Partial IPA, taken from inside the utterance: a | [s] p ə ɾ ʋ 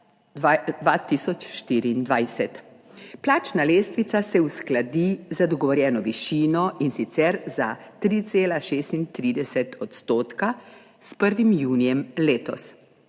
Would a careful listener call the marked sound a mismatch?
no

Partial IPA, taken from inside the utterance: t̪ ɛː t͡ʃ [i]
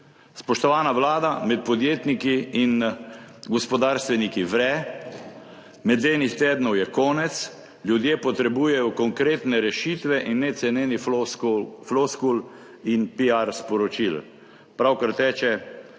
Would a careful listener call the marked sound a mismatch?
yes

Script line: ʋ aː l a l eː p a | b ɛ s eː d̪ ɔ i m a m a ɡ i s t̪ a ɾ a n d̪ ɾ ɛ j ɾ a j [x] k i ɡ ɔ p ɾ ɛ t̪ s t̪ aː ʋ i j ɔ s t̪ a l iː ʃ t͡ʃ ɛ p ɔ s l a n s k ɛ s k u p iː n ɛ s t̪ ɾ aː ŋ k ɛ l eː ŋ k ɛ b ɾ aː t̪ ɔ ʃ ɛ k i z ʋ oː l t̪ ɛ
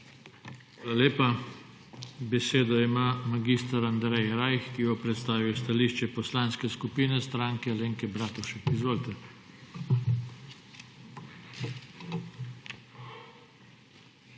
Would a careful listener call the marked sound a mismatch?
no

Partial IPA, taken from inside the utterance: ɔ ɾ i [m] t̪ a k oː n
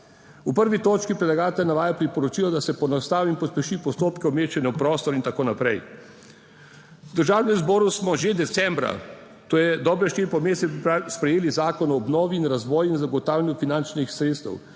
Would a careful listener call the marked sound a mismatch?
yes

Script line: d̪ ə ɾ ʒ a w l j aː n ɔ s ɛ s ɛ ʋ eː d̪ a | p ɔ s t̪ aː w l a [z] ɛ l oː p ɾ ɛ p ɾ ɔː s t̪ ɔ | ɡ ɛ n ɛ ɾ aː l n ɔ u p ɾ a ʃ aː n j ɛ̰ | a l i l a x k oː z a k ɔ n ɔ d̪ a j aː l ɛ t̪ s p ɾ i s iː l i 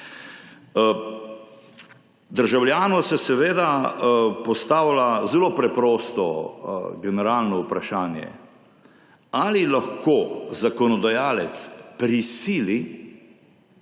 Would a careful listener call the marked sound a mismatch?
no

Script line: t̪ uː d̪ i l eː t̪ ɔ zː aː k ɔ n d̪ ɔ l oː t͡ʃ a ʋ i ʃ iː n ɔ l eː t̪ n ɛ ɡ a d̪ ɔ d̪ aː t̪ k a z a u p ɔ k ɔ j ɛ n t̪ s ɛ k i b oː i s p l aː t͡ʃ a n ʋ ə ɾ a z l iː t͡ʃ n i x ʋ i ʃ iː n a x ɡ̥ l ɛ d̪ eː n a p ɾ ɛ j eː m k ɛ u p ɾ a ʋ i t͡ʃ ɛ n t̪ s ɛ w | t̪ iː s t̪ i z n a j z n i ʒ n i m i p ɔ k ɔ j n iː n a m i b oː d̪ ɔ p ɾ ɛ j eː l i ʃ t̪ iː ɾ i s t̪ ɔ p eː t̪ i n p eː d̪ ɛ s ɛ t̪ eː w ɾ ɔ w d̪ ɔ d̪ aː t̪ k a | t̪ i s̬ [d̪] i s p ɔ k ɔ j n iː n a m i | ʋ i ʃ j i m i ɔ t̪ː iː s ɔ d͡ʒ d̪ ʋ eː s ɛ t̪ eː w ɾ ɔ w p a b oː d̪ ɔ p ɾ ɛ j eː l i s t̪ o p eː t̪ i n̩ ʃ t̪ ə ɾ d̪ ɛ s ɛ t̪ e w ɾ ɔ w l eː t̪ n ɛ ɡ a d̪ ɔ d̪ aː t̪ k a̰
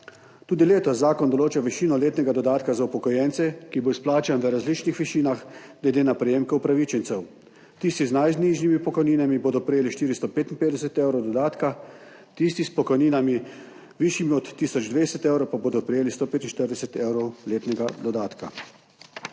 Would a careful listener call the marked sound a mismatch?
yes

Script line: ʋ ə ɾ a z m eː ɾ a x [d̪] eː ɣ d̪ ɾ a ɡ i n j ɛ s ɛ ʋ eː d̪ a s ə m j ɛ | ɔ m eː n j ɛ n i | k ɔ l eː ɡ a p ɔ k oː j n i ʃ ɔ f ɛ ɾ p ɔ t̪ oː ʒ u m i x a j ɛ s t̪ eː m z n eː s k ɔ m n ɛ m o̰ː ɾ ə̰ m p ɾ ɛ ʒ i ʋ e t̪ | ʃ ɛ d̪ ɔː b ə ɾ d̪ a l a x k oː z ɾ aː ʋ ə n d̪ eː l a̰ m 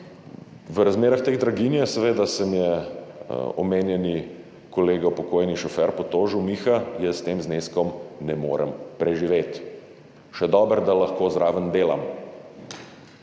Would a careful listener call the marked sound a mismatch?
yes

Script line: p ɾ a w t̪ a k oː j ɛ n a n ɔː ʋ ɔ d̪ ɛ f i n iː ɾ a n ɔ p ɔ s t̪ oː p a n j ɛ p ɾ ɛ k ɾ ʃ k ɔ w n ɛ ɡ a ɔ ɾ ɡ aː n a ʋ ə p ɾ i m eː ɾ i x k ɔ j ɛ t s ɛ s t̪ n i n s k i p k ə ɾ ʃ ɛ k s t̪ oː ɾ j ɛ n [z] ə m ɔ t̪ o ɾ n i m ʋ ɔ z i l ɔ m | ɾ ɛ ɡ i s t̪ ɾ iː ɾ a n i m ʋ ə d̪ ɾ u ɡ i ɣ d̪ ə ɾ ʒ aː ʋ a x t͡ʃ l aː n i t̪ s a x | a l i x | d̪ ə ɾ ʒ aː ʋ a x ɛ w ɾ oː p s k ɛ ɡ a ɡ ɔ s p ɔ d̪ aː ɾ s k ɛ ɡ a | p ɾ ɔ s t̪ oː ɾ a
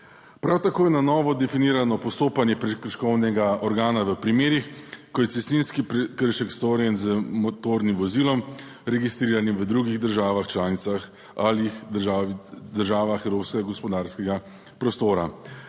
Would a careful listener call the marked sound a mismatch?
no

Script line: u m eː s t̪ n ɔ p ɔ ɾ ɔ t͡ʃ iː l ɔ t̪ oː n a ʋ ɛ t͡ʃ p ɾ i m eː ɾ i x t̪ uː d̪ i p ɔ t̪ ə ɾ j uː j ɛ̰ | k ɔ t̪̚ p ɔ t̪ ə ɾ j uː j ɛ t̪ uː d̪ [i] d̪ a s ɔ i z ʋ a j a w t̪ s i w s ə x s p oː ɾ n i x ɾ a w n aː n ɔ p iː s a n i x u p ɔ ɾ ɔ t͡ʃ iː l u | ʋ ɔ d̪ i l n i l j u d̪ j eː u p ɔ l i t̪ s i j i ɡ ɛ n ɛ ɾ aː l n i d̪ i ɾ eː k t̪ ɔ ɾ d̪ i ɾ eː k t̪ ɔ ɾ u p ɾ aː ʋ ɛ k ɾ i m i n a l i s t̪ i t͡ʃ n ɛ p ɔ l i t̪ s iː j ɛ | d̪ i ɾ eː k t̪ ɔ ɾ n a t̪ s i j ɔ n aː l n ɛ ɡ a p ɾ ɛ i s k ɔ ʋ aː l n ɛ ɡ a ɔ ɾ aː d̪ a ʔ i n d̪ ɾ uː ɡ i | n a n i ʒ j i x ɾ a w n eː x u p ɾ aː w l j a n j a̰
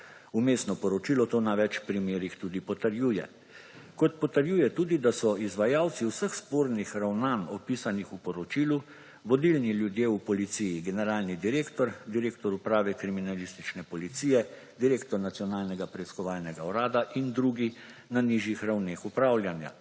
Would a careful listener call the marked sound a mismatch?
no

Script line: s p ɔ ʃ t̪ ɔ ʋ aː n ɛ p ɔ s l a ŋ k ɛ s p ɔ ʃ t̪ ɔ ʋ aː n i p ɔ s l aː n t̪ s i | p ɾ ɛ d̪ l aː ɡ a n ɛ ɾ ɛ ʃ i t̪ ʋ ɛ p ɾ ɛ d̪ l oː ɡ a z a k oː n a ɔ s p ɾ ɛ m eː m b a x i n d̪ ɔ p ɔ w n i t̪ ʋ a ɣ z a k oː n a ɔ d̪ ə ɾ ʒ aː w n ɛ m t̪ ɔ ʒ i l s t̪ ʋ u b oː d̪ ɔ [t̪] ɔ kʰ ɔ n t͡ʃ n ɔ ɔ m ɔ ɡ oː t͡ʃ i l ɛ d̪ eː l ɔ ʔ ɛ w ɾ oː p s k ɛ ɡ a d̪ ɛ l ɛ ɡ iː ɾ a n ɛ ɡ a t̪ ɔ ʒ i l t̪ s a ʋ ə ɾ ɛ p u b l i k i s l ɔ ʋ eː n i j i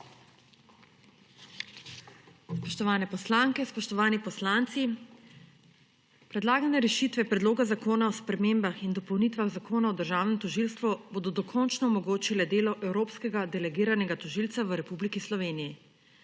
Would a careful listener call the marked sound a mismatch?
yes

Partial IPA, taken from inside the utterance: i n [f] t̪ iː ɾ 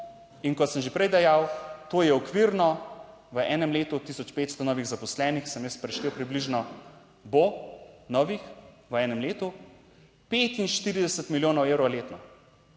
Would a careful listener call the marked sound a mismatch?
yes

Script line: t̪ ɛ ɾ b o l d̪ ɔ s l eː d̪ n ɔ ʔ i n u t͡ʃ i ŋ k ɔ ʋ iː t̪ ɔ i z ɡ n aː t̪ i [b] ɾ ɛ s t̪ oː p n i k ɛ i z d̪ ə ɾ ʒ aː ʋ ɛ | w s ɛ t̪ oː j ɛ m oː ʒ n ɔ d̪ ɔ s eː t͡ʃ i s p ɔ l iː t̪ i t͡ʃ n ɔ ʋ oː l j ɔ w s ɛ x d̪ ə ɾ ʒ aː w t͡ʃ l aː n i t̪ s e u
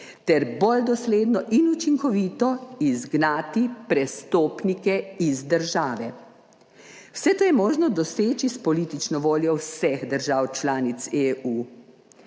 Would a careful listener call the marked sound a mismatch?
yes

